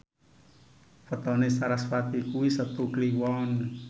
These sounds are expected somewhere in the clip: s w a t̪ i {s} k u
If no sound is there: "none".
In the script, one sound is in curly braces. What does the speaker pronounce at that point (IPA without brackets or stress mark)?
none